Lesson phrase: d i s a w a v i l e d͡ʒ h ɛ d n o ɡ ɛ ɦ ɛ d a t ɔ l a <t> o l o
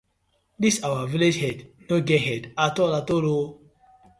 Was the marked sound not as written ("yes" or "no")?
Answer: no